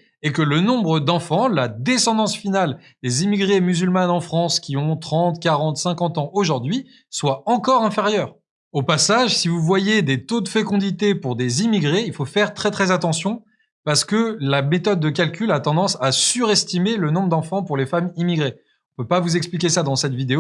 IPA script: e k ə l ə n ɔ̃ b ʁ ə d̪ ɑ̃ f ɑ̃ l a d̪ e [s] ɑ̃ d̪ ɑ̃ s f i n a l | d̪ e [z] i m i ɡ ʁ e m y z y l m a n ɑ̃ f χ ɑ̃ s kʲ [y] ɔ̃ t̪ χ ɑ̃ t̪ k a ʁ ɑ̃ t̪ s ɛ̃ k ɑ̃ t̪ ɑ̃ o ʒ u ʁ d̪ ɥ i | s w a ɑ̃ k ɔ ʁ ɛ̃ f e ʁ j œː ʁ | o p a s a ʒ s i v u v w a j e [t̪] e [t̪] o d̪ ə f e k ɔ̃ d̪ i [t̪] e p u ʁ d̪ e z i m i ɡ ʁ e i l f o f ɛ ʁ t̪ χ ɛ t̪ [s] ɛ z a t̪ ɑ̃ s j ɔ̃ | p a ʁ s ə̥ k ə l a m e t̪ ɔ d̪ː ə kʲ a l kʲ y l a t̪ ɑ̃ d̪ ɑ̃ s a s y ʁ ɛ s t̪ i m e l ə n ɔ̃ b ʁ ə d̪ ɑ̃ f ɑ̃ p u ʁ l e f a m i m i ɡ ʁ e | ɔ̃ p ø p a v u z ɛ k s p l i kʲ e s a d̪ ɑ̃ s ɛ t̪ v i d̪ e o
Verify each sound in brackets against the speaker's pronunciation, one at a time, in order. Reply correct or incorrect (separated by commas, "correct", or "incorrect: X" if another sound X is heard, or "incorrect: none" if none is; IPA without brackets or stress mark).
correct, correct, incorrect: i, incorrect: d̪, correct, correct, incorrect: χ